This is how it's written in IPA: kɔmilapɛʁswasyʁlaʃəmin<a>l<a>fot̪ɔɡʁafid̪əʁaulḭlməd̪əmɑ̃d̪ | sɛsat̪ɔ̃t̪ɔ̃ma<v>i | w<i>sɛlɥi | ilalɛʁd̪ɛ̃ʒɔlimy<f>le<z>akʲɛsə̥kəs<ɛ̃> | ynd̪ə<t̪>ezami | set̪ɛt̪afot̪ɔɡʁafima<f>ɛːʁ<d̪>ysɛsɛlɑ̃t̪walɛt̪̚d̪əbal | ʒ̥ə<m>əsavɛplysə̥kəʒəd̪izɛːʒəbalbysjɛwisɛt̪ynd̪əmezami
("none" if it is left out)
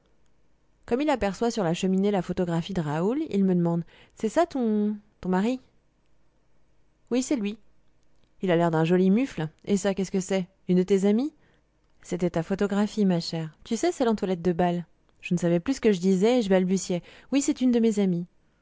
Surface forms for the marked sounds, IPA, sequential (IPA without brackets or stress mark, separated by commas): e, a, ʁ, i, f, s, ɛ, t̪, ʃ, t̪, n